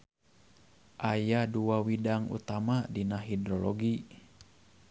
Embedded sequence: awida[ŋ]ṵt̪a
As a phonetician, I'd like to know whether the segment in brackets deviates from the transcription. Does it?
no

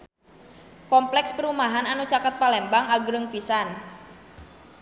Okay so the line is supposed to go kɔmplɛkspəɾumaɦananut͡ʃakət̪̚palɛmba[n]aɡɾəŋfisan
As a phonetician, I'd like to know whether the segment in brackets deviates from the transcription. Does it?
yes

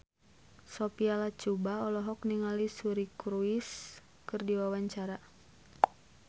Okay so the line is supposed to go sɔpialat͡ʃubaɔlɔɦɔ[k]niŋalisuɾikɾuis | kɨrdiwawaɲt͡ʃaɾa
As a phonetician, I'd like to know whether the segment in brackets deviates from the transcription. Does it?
no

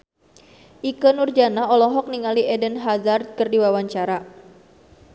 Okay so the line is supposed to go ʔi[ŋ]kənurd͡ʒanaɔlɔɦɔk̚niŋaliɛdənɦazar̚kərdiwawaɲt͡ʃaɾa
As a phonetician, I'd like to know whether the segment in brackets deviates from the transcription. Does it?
yes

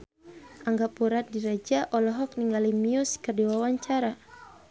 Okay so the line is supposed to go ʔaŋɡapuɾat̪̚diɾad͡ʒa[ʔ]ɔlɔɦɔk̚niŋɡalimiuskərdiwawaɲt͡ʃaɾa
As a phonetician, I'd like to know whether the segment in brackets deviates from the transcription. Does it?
no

